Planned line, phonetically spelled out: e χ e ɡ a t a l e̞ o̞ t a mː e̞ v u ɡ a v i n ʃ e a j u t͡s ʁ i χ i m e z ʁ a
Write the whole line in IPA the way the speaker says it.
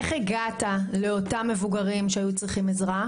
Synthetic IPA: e χ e ɡ a t a l e̞ o̞ t a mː e̞ v u ɡ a ʁ i m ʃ e a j u t͡s ʁ i χ i m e z ʁ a